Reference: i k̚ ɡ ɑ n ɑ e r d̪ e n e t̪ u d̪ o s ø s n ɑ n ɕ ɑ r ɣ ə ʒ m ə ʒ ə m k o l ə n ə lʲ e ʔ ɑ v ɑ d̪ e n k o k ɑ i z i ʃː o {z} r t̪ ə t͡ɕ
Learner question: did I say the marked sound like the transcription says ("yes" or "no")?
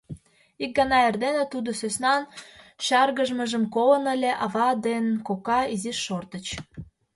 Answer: no